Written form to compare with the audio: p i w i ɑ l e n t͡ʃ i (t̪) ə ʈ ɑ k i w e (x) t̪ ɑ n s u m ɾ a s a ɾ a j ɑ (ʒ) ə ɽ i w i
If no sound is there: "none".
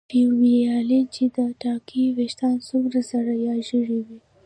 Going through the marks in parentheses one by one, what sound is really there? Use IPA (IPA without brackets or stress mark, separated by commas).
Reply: d̪, ʃ, ʒ